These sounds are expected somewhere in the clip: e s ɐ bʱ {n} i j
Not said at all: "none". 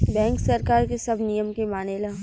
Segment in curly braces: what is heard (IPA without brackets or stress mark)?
n